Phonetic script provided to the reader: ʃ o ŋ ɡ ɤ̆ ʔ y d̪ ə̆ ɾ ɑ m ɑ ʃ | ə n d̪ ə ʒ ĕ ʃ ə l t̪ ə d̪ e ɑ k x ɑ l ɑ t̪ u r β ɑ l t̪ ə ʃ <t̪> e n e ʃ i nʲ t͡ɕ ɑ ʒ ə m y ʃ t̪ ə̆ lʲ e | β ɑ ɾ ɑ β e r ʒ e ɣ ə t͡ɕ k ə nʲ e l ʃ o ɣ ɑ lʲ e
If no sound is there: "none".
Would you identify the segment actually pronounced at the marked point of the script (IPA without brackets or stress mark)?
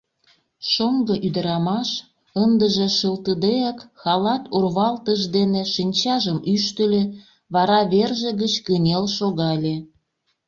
d̪